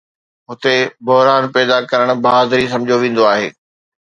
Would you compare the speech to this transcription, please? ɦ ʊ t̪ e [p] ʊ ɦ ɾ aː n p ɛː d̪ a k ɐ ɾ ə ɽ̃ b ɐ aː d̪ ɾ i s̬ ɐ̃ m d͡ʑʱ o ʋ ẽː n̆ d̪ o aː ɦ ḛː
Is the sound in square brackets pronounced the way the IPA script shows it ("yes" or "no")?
no